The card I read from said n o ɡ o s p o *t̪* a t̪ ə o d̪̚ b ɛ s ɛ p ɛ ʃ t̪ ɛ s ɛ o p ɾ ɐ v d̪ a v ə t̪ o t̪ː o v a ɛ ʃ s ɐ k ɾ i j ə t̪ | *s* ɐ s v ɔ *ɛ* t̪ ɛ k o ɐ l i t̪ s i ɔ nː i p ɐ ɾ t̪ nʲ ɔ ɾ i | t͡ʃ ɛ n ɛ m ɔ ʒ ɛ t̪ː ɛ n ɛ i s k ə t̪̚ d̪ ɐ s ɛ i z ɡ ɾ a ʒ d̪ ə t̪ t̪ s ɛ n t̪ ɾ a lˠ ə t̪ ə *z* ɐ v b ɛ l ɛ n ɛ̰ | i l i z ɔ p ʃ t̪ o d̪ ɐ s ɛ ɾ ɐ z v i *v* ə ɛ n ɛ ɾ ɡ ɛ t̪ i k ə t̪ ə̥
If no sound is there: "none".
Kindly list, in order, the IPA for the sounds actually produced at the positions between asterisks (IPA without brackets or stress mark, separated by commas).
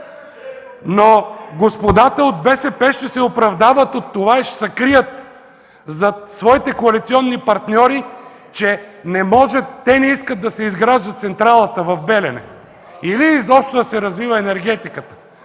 d̪, z, i, v, v